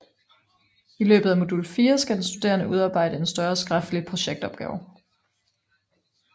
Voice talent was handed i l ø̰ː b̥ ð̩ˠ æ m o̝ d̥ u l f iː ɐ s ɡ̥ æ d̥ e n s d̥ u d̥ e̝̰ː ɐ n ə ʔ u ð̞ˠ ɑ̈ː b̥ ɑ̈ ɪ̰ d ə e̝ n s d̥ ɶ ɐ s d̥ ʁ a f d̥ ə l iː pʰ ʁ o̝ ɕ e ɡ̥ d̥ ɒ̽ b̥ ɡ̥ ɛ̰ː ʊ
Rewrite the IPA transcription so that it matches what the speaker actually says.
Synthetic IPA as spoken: i l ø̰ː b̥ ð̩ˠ æ m o̝ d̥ u l f iː ɐ s ɡ̥ æ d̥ e n s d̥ u d̥ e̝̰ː ɐ n ə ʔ u ð̞ˠ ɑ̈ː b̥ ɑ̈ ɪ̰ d ə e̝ n s d̥ ɶ ɐ s ɡ̥ ʁ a f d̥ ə l i pʰ ʁ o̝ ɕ e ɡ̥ d̥ ɒ̽ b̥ ɡ̥ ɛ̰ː ʊ